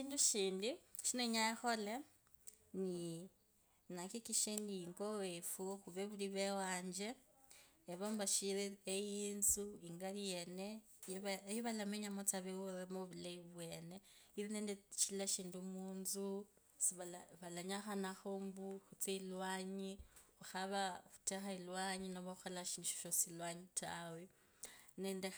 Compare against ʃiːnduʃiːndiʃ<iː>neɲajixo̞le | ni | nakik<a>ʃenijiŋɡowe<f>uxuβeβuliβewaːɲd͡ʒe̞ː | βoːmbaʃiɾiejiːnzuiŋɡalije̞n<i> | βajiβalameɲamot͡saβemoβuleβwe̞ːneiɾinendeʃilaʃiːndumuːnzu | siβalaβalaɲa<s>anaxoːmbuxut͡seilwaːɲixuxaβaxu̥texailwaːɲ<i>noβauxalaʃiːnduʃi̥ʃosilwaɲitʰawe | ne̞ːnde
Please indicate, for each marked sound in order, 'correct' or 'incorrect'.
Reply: incorrect, incorrect, correct, incorrect, incorrect, correct

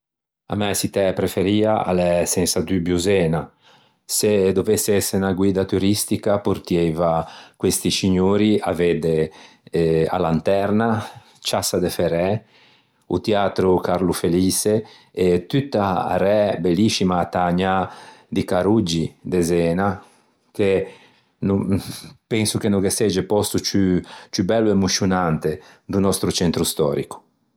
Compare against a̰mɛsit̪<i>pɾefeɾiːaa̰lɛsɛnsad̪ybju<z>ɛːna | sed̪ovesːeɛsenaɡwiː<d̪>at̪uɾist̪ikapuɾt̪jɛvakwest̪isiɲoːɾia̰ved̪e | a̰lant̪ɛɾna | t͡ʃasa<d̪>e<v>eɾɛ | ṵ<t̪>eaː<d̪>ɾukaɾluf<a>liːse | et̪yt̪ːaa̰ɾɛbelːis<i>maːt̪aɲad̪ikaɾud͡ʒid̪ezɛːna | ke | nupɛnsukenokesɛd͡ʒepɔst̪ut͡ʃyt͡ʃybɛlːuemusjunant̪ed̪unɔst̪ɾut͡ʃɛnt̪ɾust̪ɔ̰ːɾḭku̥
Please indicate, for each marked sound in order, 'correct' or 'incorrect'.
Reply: incorrect, correct, correct, correct, incorrect, correct, incorrect, incorrect, correct

